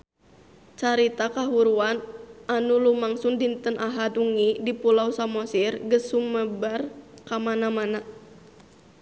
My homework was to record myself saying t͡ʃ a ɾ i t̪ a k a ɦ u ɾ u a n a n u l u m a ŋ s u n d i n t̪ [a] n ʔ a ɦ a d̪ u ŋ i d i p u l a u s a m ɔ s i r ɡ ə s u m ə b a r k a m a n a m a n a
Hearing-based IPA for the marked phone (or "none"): ə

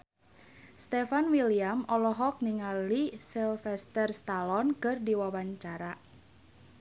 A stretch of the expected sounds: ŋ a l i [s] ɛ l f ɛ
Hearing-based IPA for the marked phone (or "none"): s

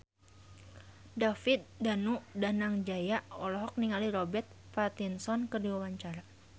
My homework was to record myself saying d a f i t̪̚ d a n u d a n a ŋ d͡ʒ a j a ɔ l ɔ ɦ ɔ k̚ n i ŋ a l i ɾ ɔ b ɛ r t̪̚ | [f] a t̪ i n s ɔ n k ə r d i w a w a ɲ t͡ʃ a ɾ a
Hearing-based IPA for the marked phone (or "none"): f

